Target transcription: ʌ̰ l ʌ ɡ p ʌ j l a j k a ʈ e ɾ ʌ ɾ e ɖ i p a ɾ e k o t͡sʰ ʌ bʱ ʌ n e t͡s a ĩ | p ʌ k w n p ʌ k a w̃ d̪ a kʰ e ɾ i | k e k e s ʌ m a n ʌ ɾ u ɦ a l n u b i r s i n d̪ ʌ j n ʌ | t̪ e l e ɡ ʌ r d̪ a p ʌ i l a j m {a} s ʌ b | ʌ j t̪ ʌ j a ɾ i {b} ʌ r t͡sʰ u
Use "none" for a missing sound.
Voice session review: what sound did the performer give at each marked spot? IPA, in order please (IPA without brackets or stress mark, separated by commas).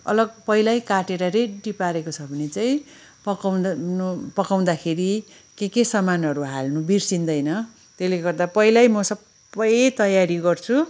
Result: ʌ, ɡ